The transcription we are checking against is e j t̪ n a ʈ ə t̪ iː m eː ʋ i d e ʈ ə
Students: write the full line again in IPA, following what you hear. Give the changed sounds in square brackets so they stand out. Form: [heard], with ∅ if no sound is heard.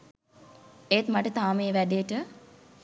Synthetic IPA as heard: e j t̪ [m] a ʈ ə t̪ [aː] m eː ʋ [æ] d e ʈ ə